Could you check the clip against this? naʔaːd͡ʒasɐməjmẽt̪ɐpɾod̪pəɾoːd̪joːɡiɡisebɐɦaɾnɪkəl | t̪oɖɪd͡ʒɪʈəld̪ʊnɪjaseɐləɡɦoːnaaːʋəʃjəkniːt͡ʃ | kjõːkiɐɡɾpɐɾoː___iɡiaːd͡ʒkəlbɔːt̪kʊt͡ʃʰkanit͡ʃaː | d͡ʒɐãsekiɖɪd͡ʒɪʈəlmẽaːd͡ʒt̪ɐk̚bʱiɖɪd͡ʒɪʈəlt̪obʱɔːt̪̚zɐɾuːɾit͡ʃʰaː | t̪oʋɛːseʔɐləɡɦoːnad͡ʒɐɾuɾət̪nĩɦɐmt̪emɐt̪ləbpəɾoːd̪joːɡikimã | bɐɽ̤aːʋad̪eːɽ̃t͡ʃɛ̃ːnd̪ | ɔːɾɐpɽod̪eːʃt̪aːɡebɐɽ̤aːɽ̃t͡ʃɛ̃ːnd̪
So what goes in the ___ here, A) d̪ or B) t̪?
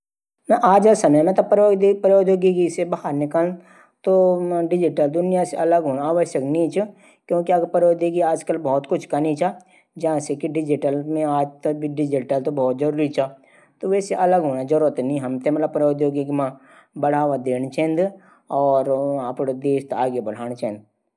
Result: A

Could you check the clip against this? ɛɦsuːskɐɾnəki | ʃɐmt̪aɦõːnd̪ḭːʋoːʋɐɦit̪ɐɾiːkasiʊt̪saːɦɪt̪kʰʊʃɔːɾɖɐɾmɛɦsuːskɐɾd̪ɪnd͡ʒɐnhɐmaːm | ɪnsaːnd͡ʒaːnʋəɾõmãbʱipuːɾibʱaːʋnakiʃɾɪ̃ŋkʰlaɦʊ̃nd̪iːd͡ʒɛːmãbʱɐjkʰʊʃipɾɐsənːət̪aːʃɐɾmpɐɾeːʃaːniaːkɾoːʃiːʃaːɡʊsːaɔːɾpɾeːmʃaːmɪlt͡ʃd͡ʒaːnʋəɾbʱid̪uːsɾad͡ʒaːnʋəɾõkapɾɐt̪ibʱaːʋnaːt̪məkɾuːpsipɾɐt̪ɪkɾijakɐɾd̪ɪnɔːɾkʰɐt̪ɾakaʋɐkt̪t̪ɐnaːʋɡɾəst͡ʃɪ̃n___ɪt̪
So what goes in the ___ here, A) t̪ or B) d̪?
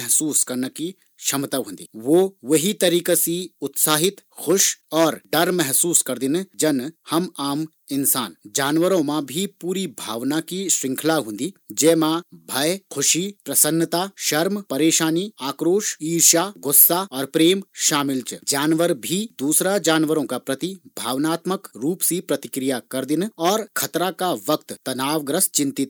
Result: A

